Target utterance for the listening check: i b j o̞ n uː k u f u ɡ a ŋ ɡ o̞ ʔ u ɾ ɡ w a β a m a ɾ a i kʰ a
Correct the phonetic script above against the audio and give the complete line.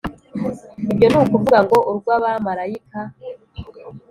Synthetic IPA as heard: i b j o̞ n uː k u v u ɡ a ŋ ɡ o̞ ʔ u ɾ ɡ w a β a m a ɾ a i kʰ a